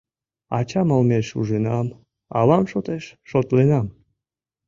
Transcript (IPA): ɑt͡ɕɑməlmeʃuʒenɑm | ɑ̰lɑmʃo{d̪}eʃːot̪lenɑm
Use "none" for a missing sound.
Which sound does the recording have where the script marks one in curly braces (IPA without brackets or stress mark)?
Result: t̪